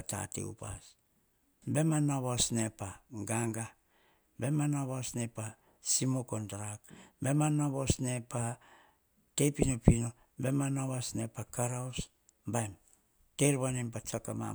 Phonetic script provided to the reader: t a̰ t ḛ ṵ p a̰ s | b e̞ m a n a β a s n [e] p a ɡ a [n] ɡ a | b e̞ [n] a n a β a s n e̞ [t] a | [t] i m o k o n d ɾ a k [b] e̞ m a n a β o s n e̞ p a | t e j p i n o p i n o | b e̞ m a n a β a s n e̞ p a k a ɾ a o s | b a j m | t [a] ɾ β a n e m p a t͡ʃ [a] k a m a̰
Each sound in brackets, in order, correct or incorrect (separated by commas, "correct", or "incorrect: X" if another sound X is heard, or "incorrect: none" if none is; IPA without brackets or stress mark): correct, incorrect: ŋ, incorrect: m, incorrect: p, incorrect: s, correct, incorrect: e, correct